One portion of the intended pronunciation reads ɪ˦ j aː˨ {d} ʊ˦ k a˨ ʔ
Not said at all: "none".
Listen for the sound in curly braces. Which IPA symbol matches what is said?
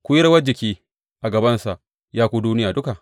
d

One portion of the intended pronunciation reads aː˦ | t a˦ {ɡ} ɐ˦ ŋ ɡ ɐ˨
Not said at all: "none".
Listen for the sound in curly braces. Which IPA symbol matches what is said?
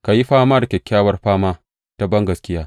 b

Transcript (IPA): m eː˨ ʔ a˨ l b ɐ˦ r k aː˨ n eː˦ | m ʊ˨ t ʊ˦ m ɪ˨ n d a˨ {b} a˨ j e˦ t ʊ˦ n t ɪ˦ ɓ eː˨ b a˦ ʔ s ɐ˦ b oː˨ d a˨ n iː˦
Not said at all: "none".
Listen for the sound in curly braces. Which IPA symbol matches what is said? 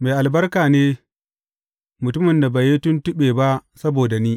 b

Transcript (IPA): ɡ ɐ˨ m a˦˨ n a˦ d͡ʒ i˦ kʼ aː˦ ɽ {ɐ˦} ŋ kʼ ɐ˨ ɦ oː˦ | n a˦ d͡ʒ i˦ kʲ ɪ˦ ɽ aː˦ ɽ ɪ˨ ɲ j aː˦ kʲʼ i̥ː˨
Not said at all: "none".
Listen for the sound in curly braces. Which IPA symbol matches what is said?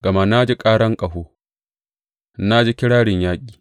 ɐ˦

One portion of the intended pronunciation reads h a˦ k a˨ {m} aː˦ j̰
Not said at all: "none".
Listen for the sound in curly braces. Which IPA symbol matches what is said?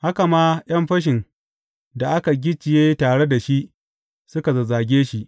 m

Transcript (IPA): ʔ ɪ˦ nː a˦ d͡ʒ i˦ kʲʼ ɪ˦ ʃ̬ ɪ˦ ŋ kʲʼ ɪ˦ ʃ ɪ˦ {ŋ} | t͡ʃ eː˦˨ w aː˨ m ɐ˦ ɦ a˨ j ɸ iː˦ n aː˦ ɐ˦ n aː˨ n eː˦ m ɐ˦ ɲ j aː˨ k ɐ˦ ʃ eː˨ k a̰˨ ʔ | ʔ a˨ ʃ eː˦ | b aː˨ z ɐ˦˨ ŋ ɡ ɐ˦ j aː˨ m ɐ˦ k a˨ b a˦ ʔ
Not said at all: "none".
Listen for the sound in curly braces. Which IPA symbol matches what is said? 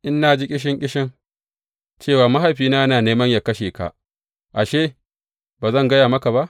ŋ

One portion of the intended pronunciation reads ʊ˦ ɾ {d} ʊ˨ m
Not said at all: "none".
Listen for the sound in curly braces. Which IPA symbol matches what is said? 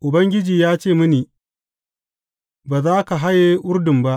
d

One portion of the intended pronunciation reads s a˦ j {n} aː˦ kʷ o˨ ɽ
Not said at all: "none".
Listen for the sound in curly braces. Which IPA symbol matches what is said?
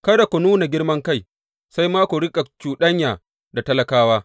m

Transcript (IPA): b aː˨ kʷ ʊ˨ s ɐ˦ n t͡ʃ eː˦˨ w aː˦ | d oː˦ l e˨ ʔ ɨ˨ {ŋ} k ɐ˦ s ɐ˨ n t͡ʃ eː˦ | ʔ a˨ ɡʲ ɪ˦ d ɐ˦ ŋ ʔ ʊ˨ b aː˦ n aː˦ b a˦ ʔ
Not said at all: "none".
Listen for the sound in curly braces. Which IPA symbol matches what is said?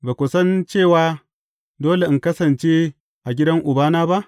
ŋ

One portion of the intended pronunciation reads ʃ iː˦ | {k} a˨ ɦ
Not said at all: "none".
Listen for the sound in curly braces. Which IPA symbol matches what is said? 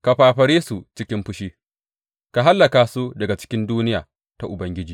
k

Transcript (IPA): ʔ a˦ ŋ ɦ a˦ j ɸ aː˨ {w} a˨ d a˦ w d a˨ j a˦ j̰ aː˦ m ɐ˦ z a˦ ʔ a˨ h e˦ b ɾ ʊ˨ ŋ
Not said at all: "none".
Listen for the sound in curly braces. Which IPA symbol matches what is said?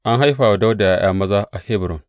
w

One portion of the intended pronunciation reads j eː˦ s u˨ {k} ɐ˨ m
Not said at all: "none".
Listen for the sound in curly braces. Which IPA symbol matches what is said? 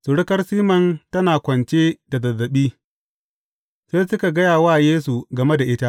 ɡ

